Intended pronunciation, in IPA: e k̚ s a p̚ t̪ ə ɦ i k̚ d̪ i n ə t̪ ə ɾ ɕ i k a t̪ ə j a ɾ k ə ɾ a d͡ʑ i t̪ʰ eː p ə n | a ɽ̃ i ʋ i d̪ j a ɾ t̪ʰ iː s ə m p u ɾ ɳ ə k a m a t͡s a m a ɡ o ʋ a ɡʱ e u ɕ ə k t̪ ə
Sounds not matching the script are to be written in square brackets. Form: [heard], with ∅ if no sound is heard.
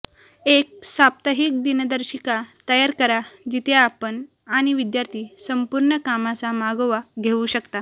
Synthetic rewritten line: e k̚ s a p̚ t̪ ə ɦ i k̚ d̪ i n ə [d̪] ə ɾ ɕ i k a t̪ ə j a ɾ k ə ɾ a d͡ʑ i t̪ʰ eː p ə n | a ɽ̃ i ʋ i d̪ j a ɾ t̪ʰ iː s ə m p u ɾ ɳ ə k a m a t͡s a m a ɡ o ʋ a ɡʱ e u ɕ ə k t̪ [a]